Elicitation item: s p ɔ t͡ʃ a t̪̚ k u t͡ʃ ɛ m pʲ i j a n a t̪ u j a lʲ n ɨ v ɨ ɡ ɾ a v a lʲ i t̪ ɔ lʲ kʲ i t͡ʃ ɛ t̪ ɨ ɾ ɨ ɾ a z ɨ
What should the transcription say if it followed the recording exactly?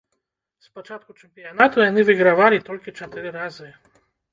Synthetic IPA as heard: s p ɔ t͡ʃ a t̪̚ k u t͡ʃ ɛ m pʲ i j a n a t̪ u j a n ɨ v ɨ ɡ ɾ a v a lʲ i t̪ ɔ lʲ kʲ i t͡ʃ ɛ t̪ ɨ ɾ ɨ ɾ a z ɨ